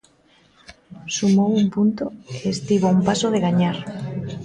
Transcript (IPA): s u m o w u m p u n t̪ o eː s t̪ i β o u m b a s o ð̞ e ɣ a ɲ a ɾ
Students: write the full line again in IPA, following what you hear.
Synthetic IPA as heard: s u m o w u m p u n t̪ o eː s t̪ i β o u m p a s o ð̞ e ɣ a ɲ a ɾ